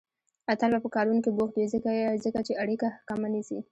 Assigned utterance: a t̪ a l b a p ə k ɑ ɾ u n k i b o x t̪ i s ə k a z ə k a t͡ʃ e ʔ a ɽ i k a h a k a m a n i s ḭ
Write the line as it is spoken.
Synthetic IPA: a t̪ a l b a p ə k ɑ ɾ u n k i b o x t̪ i z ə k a z ə k a t͡ʃ e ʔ a ɽ i k a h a k a m a n i s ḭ